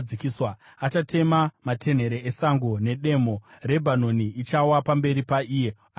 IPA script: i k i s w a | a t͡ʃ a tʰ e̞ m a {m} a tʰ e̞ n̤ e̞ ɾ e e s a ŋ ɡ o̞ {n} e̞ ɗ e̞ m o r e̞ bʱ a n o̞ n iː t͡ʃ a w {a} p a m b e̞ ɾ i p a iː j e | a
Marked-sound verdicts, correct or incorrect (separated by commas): correct, correct, correct